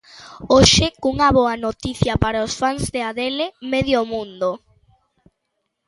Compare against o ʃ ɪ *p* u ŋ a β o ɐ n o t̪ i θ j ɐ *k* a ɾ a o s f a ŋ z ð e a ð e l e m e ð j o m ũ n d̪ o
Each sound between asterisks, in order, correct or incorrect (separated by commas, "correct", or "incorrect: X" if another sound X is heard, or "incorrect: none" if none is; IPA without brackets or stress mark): incorrect: k, incorrect: p